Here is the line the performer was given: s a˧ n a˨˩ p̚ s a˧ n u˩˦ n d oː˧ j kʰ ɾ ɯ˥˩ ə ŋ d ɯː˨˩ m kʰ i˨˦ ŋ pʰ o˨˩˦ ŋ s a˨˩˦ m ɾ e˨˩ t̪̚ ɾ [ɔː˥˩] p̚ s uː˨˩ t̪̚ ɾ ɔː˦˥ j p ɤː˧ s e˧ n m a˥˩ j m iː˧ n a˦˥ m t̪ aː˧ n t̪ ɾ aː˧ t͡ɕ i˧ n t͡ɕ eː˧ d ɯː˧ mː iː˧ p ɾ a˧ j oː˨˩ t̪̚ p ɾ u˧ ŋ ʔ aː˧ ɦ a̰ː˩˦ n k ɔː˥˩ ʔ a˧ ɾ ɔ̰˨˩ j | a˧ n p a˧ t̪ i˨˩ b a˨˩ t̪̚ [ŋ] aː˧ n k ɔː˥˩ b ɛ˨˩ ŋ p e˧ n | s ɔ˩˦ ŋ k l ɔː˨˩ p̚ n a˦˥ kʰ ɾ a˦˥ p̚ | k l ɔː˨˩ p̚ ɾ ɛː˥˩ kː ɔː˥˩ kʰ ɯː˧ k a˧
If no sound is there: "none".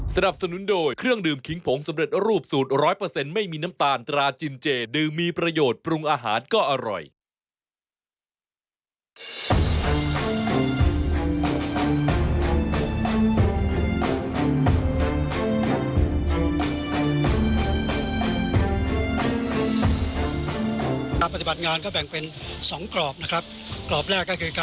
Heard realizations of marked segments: uː˥˩, ŋ

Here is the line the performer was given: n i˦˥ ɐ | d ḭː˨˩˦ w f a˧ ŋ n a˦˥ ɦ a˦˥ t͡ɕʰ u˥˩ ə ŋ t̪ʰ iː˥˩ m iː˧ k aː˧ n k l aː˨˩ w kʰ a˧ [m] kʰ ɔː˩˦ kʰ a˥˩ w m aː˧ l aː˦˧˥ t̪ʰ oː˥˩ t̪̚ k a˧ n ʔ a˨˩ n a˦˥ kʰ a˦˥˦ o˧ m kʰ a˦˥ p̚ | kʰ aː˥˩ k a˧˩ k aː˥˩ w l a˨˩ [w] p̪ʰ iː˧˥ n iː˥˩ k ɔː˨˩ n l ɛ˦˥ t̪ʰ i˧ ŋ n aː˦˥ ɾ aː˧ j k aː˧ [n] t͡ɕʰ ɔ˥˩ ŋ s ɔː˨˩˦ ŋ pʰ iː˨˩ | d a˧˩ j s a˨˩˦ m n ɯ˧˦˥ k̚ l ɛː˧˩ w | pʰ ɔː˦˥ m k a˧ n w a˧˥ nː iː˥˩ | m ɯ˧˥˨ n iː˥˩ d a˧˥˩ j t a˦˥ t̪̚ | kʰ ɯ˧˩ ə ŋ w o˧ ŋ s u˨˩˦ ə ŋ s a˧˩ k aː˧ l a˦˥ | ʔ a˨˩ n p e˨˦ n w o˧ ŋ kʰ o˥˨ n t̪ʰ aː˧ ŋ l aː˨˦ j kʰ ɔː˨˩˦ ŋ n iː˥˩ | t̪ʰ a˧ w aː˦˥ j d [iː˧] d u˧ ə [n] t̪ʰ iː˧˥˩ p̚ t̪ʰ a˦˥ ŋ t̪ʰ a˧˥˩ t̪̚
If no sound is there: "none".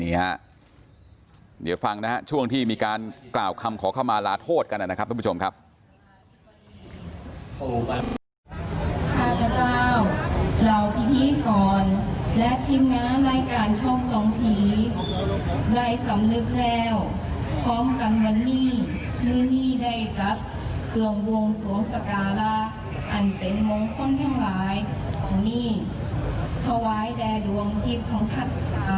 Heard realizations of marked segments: m, w, n, ɛː˧, ŋ

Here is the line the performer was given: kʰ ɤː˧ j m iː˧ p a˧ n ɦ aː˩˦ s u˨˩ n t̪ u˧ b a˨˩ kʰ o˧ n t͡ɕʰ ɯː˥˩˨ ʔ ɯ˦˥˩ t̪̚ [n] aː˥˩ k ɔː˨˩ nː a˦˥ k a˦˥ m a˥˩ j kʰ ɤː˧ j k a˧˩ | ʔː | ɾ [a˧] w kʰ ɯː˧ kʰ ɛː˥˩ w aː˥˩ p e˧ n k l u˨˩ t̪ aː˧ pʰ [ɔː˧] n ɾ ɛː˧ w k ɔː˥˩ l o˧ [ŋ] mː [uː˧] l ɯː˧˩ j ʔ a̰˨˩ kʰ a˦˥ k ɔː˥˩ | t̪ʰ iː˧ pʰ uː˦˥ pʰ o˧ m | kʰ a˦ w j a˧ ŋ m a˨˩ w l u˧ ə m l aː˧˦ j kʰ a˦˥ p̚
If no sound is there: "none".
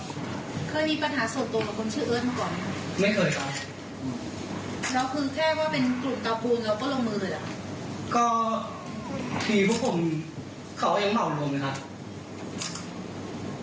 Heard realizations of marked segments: m, a˦˥, uː˧, ŋ, ɯː˧

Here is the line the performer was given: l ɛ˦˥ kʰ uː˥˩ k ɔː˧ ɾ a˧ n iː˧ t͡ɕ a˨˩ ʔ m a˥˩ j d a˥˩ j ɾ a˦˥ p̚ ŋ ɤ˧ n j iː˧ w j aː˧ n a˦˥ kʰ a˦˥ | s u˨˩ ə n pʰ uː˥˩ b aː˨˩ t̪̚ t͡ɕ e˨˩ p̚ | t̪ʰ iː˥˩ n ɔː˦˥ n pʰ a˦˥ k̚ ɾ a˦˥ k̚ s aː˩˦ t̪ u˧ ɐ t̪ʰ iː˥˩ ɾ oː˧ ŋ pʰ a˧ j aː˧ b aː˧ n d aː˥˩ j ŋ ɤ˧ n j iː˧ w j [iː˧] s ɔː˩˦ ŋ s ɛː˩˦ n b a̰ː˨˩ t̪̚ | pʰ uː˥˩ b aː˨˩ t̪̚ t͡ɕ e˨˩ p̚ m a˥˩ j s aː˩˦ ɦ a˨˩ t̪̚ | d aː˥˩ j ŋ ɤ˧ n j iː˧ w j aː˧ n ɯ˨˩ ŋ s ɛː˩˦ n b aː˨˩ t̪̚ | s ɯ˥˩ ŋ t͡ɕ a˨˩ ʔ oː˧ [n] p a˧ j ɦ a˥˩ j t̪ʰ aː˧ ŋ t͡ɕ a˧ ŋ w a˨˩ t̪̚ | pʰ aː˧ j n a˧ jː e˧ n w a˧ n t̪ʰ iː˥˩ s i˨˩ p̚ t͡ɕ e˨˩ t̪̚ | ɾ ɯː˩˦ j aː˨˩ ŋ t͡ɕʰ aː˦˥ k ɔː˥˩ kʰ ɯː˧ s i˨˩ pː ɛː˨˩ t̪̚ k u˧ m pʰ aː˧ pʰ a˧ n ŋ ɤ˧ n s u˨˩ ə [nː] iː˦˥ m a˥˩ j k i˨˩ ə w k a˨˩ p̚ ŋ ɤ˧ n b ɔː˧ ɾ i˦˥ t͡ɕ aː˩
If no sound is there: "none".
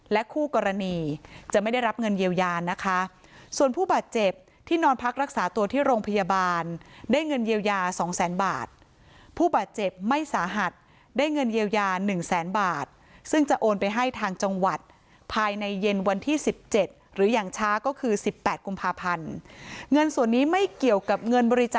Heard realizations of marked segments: aː˧, n, nː

